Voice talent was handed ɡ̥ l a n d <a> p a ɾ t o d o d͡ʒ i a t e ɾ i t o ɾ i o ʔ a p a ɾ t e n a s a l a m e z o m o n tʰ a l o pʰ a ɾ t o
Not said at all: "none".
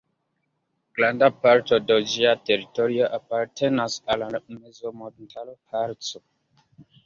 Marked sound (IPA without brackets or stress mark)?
a